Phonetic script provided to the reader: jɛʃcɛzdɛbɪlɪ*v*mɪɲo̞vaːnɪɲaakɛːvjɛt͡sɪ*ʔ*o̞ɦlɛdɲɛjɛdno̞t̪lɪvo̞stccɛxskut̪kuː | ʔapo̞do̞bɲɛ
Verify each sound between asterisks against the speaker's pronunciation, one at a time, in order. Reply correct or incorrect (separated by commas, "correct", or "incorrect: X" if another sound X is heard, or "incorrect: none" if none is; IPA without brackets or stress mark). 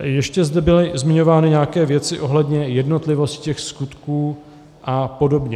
incorrect: z, correct